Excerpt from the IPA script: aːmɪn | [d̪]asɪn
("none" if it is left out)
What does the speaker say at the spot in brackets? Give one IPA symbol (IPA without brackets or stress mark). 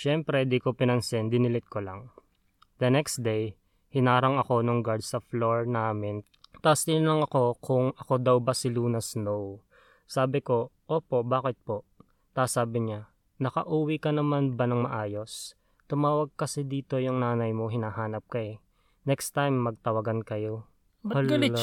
t̪